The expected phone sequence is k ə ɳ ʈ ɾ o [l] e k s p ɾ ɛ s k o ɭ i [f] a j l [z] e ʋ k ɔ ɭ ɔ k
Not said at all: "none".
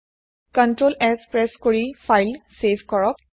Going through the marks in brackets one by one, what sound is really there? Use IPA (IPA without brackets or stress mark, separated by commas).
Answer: l, f, s